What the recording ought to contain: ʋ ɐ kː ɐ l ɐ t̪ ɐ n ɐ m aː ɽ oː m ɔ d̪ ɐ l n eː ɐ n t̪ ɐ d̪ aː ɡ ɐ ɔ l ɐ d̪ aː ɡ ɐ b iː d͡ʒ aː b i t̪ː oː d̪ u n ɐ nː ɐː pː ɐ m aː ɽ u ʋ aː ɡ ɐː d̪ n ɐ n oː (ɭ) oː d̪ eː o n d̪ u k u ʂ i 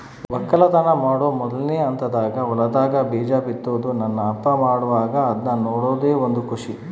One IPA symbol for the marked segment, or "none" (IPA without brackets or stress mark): ɽ